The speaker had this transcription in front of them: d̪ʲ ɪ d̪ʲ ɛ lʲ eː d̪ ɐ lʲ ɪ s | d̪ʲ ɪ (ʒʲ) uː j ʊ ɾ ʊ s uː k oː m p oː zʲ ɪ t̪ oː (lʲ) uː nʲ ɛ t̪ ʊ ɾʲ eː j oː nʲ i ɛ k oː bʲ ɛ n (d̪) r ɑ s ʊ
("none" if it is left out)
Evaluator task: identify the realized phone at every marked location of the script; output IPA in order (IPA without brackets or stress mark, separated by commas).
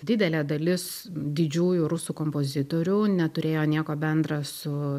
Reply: d͡ʒʲ, ɾʲ, d̪